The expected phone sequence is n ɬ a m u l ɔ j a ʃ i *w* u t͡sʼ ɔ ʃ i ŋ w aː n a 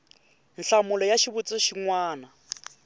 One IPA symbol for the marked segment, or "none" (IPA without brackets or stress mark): β